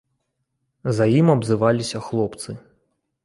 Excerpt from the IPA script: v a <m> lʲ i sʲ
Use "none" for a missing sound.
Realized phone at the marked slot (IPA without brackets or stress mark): none